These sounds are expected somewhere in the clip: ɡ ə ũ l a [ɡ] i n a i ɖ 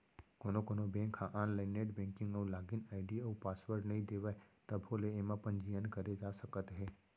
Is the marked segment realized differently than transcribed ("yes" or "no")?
no